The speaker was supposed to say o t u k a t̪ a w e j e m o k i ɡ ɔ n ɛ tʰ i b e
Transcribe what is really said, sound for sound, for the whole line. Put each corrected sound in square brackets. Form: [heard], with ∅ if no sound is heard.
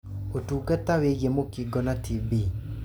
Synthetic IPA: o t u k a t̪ a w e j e m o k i ɡ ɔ n [a] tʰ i b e